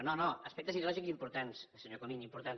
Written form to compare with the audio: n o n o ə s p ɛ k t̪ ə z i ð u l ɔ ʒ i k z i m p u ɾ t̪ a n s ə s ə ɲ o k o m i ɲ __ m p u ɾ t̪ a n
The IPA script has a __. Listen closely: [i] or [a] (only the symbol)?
i